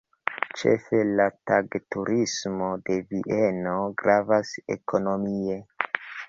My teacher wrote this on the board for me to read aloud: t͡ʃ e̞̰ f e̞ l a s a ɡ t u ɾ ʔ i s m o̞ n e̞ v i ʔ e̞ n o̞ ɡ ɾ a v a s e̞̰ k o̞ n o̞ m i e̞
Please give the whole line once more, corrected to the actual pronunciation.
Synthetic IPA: t͡ʃ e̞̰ f e̞ l a t a ɡ t u ɾ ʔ i s m o̞ d e̞ v i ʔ e̞ n o̞ ɡ ɾ a v a s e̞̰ k o̞ n o̞ m i e̞